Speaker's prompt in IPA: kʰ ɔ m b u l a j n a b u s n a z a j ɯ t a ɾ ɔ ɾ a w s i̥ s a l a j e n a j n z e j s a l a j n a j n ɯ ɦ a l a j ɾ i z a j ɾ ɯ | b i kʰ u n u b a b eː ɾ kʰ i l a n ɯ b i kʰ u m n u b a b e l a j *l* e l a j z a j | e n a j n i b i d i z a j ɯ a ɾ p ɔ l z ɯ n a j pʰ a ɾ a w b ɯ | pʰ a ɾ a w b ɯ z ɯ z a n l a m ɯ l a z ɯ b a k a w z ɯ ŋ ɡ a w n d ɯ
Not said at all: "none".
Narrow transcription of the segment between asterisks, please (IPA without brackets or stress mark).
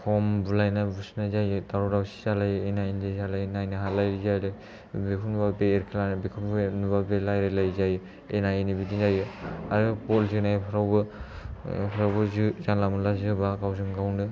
ɾ